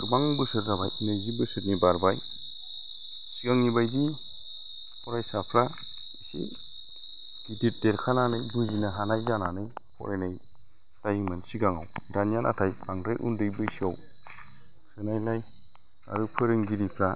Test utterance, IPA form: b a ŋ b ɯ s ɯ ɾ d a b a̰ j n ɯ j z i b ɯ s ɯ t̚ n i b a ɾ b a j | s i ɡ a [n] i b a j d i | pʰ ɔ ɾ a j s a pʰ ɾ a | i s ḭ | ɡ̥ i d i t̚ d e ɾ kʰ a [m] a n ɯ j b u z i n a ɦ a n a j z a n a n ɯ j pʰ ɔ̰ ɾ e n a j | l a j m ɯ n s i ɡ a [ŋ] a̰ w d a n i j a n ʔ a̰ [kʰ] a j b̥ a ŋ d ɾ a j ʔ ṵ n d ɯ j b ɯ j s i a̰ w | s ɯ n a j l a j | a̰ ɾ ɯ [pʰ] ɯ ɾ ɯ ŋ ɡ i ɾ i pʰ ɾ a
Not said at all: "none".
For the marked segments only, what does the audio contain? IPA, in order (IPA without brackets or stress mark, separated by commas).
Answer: ŋ, n, ŋ, tʰ, pʰ